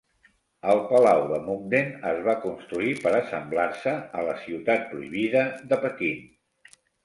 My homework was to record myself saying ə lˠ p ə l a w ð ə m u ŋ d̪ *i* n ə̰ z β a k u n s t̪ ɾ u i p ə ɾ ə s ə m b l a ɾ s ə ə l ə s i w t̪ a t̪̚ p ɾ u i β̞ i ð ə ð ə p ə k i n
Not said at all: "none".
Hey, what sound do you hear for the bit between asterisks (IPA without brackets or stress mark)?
e